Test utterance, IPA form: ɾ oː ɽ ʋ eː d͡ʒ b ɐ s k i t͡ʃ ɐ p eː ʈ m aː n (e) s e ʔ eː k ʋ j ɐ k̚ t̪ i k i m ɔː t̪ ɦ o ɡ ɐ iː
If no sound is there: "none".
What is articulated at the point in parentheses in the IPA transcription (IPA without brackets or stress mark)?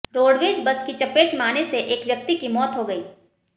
e